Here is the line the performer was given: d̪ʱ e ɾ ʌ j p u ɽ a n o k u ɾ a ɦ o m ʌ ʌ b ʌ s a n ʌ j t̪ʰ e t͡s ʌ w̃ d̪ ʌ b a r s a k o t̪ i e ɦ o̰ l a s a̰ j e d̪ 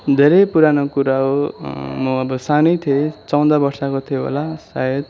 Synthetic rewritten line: d̪ʱ e ɾ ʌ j p u ɾ a n o k u ɾ a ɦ o m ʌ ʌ b ʌ s a n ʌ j t̪ʰ e t͡s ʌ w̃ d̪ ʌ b ʌ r s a k o t̪ʰ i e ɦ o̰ l a s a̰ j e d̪